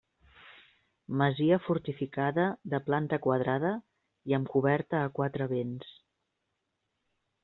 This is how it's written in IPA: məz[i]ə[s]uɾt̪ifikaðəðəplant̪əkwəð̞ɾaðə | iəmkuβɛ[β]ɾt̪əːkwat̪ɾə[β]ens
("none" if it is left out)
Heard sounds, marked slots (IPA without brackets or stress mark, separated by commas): i, f, none, β